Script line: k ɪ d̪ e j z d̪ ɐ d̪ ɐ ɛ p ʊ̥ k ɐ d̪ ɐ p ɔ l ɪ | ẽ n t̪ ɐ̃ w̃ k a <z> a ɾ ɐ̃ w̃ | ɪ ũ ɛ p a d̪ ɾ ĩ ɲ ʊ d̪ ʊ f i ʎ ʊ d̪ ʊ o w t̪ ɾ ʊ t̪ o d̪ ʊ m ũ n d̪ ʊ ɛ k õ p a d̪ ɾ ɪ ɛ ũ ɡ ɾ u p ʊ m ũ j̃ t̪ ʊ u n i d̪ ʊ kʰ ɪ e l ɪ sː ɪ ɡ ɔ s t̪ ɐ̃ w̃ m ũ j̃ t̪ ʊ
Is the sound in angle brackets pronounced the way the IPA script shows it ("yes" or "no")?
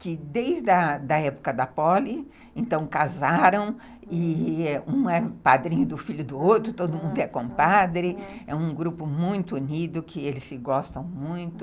yes